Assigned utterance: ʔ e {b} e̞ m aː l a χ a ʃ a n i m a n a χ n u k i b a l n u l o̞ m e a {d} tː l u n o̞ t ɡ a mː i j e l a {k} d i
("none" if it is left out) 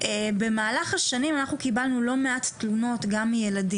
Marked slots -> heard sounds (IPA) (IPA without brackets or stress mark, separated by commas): b, t, none